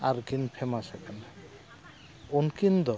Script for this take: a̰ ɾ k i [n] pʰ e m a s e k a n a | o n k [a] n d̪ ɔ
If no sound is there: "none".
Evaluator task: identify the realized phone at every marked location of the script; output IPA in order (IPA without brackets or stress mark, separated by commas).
n, i